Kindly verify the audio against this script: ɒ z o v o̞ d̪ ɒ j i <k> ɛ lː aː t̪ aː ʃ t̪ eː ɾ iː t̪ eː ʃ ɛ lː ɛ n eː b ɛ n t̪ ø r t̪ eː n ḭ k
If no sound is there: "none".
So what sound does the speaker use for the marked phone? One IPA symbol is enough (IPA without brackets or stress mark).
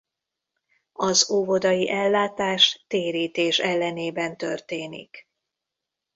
ʔ